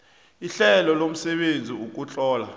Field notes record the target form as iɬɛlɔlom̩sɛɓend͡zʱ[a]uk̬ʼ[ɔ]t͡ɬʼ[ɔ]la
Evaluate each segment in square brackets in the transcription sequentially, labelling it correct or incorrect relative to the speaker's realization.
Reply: incorrect, incorrect, incorrect

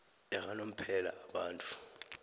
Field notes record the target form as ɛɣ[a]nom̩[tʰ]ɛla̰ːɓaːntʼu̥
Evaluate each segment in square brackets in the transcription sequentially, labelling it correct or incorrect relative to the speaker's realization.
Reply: correct, incorrect

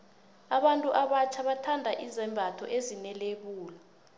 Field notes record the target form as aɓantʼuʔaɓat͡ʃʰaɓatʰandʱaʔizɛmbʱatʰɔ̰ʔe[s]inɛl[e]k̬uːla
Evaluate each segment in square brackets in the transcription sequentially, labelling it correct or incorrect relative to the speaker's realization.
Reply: incorrect, correct

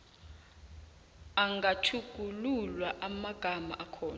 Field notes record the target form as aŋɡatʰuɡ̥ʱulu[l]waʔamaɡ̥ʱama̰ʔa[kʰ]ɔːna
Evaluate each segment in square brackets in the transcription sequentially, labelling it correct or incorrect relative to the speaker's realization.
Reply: correct, correct

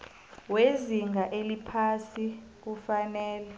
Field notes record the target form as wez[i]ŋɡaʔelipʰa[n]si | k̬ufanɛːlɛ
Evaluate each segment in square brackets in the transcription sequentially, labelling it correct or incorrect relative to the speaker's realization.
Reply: correct, incorrect

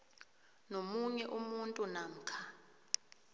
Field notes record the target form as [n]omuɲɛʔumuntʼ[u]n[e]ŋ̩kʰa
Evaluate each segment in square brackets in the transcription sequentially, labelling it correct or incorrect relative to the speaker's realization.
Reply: correct, correct, incorrect

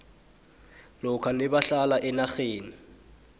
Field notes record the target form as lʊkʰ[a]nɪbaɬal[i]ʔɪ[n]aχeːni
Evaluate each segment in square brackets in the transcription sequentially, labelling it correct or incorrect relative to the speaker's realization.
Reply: correct, incorrect, correct

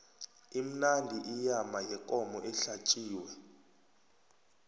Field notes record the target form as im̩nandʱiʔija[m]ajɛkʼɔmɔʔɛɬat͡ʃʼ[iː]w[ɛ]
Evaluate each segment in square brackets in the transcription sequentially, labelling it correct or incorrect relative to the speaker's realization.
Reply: correct, correct, correct

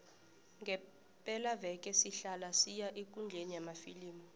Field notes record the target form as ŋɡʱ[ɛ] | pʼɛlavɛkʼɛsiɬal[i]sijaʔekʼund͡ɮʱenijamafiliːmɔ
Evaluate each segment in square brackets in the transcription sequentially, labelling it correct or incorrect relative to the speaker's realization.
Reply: correct, incorrect

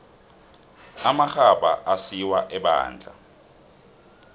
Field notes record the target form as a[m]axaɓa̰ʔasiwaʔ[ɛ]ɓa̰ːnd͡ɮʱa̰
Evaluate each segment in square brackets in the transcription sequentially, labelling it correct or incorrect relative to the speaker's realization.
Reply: correct, correct

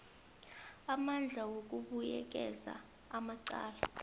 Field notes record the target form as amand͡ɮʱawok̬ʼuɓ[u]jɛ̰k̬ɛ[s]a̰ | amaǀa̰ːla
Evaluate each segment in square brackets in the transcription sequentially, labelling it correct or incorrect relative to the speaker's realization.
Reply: correct, incorrect

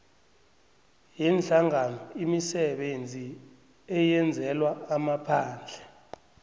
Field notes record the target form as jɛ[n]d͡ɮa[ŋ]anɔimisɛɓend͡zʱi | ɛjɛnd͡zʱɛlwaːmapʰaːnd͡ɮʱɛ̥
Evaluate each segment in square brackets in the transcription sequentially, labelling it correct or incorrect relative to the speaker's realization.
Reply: correct, correct

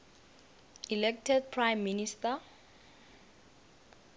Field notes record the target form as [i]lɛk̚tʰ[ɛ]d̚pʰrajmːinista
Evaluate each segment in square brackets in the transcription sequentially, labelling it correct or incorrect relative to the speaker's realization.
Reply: correct, correct

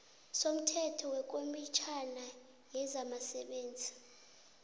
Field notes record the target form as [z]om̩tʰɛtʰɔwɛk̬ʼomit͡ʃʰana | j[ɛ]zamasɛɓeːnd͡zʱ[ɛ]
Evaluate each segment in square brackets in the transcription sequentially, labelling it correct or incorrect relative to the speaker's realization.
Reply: incorrect, correct, incorrect

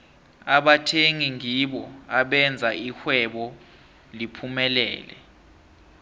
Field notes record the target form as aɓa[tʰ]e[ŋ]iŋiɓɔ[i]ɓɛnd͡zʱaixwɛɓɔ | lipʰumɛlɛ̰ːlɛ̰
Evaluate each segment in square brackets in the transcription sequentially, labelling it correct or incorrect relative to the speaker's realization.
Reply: correct, correct, incorrect

